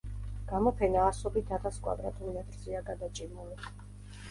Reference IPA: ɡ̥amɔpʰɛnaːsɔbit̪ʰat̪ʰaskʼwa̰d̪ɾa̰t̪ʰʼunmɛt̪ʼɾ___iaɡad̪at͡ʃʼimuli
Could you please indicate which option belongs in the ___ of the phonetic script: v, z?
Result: z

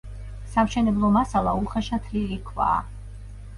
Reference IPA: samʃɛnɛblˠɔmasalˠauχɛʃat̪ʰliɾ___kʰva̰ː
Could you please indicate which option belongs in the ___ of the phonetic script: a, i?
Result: i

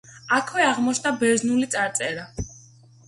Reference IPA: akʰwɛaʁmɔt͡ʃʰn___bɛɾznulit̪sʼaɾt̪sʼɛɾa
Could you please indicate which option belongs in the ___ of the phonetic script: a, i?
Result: a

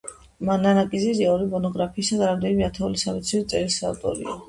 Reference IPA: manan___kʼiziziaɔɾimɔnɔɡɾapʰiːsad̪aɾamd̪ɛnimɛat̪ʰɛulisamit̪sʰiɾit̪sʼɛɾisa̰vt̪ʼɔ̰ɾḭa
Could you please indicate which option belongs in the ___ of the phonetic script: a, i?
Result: a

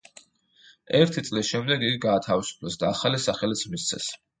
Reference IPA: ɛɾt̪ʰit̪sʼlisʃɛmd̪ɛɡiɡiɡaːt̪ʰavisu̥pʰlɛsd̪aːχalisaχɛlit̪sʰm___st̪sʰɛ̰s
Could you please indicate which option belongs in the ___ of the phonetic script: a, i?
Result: i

